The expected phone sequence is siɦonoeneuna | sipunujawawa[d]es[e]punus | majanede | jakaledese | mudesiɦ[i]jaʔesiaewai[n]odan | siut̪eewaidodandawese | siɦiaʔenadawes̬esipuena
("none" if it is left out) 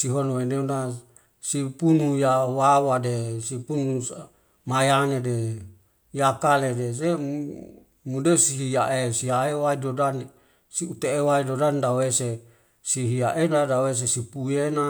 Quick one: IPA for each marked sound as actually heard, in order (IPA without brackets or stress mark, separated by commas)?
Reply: d, i, i, d